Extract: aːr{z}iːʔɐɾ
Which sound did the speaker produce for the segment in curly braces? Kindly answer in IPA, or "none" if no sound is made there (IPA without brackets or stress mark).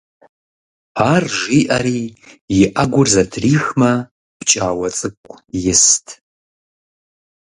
ʒ